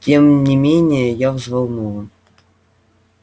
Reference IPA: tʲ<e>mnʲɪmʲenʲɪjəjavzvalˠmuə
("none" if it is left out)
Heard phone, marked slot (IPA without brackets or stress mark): e